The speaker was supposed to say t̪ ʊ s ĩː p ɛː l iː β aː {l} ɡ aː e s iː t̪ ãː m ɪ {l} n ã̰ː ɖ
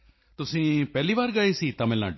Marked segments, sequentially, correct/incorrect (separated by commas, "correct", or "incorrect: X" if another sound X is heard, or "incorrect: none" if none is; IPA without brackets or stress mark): incorrect: ɾ, correct